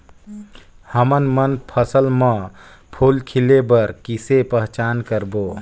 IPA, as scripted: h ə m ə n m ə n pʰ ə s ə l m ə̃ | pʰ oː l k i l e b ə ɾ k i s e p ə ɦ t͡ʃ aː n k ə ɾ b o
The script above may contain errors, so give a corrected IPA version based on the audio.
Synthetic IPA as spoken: h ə m ə n m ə n pʰ ə s ə l m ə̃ | pʰ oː l kʰ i l e b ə ɾ k i s e p ə ɦ t͡ʃ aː n k ə ɾ b o